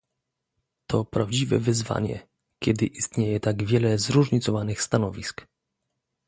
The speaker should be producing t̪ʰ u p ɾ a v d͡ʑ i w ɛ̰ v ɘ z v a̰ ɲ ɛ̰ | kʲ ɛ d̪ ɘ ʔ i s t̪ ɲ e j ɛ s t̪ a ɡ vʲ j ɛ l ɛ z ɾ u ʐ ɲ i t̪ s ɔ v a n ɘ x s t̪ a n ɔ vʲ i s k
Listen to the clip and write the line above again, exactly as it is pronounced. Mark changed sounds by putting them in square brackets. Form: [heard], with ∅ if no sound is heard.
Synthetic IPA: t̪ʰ [ɔ] p ɾ a v d͡ʑ i [v] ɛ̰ v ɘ z v a̰ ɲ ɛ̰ | kʲ ɛ d̪ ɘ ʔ i s t̪ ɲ e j ɛ [∅] t̪ a ɡ vʲ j ɛ l ɛ z ɾ u ʐ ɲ i t̪ s ɔ v a n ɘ x s t̪ a n ɔ vʲ i s k